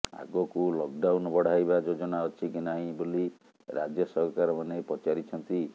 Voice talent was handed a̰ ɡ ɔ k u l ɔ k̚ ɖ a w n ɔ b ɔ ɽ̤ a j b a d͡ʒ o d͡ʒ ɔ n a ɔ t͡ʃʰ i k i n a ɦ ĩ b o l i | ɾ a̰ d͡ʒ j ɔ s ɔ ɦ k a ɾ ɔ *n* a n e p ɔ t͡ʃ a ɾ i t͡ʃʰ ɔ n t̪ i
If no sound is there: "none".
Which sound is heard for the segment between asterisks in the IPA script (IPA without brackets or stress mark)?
m